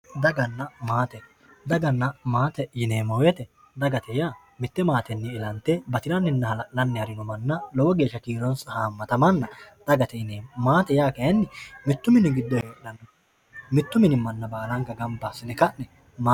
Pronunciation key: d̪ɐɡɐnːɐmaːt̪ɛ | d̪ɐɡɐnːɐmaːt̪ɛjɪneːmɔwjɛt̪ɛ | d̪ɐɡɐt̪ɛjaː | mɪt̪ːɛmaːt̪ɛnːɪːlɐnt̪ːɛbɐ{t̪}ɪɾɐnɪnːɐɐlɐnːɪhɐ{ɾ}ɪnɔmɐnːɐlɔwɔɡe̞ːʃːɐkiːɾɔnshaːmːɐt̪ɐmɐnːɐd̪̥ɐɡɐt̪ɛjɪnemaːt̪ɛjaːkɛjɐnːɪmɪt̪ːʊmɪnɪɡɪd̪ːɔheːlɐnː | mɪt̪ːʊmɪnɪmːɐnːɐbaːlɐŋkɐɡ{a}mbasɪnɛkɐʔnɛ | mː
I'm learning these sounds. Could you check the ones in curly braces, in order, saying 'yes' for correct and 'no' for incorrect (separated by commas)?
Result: yes, yes, no